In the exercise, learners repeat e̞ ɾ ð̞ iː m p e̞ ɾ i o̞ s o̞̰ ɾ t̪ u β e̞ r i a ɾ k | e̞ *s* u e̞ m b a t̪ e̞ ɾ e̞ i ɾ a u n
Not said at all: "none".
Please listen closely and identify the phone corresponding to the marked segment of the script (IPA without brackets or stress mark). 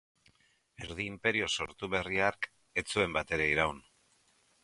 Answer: t͡s